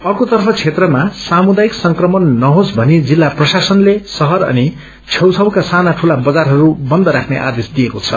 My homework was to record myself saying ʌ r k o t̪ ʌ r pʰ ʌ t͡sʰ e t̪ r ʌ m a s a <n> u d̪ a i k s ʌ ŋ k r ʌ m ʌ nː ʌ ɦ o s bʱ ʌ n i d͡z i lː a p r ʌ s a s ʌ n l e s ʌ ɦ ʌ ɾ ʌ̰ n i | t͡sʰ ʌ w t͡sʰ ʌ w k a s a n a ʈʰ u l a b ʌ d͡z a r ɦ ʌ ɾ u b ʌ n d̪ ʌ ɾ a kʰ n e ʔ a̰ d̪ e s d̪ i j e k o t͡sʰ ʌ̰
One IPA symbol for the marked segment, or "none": m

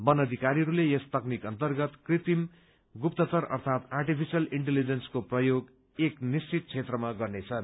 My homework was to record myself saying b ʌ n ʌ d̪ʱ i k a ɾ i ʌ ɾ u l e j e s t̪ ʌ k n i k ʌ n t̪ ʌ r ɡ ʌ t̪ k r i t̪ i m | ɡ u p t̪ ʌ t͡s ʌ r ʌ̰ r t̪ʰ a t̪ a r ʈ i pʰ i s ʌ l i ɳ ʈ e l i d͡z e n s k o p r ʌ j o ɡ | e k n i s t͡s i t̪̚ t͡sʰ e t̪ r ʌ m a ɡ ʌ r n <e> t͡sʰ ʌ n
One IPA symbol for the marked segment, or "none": e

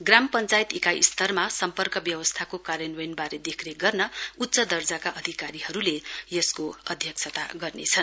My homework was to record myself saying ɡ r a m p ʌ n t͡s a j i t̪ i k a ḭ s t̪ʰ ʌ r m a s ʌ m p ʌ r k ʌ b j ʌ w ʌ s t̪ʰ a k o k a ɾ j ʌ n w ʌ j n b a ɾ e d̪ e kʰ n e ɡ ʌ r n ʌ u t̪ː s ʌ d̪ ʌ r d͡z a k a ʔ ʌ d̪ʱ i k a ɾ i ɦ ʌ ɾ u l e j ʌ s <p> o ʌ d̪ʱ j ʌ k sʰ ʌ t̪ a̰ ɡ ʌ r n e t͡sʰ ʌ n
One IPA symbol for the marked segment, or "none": k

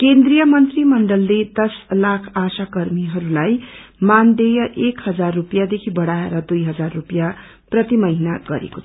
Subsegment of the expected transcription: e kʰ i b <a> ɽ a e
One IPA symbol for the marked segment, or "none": ʌ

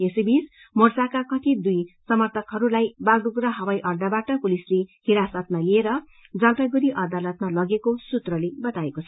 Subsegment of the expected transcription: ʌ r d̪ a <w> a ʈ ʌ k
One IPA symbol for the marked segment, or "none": b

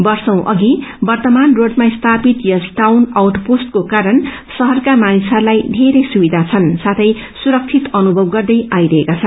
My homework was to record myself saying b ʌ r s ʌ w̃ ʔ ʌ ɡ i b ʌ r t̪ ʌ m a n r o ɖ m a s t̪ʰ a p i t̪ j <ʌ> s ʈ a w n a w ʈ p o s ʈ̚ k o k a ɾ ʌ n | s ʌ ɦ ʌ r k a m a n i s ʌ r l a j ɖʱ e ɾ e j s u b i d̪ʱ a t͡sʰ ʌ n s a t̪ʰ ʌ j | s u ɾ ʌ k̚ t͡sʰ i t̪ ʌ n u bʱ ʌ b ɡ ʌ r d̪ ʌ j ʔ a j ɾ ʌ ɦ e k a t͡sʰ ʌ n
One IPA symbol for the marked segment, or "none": ʌ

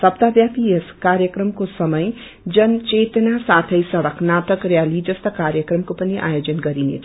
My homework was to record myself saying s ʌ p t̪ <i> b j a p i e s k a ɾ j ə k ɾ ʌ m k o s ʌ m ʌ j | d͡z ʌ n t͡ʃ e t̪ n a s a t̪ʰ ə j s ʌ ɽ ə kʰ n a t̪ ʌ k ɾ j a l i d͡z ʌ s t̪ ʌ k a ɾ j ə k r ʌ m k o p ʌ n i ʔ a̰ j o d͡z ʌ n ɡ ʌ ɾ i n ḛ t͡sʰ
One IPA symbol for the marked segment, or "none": a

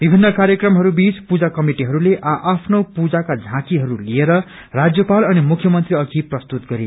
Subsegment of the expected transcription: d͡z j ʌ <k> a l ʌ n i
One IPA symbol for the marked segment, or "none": p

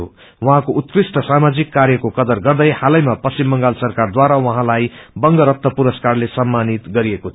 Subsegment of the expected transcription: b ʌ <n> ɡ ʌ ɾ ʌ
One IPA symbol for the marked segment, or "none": ŋ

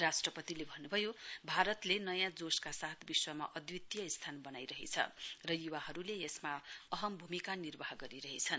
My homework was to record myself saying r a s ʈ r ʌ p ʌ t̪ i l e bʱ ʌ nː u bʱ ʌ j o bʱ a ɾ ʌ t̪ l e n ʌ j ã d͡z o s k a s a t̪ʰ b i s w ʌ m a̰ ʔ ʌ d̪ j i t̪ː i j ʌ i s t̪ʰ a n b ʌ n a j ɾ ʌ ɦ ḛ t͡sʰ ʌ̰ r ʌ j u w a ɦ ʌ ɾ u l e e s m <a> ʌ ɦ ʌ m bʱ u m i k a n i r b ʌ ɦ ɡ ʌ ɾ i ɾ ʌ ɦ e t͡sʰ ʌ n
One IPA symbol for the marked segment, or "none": a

